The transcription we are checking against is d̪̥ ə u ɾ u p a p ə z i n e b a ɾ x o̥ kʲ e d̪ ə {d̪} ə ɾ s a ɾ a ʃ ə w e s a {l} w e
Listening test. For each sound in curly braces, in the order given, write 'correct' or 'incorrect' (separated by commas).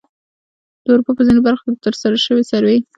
incorrect, incorrect